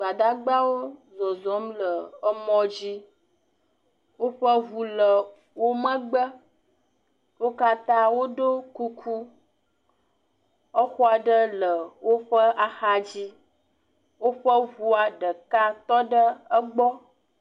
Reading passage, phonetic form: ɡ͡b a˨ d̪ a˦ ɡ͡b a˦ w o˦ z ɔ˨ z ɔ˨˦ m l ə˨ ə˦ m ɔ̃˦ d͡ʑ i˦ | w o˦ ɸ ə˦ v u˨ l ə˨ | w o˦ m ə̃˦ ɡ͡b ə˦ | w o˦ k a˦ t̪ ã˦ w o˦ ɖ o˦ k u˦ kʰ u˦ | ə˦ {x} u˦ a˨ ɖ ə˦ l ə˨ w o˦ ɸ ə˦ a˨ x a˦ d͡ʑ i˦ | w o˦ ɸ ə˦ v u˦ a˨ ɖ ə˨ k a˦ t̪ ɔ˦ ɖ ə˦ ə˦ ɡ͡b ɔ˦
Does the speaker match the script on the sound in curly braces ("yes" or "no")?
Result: yes